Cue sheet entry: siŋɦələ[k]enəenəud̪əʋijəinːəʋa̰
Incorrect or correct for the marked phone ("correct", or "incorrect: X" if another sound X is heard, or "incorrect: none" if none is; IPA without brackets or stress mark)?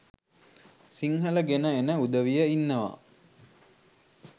incorrect: ɡ